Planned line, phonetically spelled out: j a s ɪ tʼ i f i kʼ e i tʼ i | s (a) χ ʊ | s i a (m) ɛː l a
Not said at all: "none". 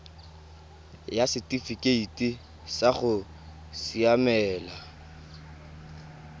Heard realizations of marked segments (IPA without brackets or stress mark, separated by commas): a, m